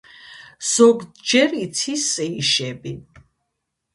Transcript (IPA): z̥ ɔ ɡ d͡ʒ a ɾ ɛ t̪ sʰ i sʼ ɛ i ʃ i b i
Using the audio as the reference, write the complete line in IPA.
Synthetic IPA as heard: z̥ ɔ ɡ d͡ʒ ɛ ɾ i t̪ sʰ i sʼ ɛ i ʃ ɛ b i